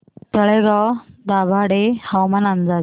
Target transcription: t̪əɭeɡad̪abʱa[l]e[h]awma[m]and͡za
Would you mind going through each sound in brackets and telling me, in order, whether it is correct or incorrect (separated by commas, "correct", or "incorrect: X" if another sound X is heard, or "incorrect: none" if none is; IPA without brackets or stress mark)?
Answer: incorrect: ɽ, correct, incorrect: n